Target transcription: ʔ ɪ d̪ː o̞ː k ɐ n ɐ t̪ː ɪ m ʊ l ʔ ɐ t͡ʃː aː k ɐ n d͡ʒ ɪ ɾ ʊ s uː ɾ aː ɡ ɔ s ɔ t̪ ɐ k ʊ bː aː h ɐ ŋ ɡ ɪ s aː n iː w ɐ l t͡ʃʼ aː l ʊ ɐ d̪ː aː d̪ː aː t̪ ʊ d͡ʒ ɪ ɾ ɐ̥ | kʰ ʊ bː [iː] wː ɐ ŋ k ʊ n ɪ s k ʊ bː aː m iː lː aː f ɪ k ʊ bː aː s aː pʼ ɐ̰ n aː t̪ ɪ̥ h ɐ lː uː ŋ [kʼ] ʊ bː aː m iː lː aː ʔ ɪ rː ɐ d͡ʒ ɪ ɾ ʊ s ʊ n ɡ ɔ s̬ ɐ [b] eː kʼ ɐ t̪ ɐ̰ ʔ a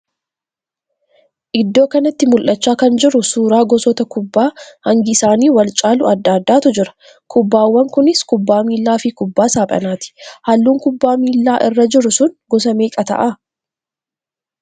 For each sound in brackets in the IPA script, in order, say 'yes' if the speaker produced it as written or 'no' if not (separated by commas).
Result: no, no, no